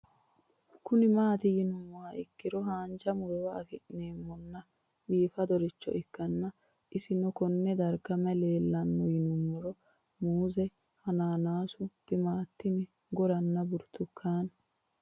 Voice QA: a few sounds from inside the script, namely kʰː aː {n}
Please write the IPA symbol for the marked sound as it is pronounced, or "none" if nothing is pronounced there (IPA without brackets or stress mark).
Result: n